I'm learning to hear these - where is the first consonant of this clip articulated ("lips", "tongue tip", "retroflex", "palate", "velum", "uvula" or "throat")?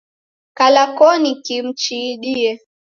velum